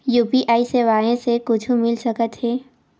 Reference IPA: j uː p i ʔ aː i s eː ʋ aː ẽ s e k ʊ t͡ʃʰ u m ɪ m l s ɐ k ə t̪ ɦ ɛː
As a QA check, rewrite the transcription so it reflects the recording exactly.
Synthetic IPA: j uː p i ʔ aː i s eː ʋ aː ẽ s e k ʊ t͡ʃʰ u m ɪ l s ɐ k ə t̪ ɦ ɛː